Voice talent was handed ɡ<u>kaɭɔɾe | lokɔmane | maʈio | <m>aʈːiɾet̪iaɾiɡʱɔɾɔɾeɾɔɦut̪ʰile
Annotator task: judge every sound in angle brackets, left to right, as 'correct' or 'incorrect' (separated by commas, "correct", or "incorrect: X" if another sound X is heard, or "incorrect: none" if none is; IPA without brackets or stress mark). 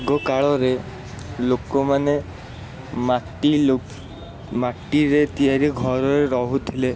incorrect: ɔ, correct